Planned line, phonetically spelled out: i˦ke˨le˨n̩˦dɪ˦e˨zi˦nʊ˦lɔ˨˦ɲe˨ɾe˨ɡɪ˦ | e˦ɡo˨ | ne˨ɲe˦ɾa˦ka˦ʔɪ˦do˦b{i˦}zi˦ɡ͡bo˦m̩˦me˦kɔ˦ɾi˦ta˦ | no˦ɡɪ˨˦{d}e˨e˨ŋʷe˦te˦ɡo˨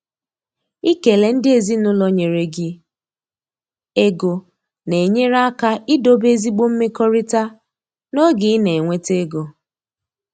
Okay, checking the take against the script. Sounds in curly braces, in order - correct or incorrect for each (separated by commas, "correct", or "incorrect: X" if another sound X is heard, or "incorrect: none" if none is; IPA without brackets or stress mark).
incorrect: e˦, incorrect: n